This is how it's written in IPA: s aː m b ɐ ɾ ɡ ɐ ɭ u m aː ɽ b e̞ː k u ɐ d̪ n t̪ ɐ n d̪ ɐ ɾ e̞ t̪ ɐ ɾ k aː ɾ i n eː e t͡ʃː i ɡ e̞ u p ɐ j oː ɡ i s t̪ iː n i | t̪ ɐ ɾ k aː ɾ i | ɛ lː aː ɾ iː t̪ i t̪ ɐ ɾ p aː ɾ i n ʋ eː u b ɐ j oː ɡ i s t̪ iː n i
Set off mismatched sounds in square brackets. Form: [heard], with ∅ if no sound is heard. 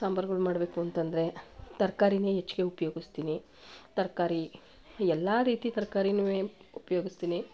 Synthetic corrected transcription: s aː m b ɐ ɾ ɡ ɐ ɭ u m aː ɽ b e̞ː k u ɐ [∅] n t̪ ɐ n d̪ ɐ ɾ e̞ t̪ ɐ ɾ k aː ɾ i n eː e t͡ʃː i ɡ e̞ u p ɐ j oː ɡ i s t̪ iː n i | t̪ ɐ ɾ k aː ɾ i | ɛ lː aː ɾ iː t̪ i t̪ ɐ ɾ [k] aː ɾ i n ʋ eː u [p] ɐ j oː ɡ i s t̪ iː n i